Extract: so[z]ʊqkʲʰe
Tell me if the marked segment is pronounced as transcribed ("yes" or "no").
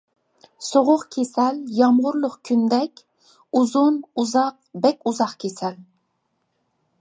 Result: no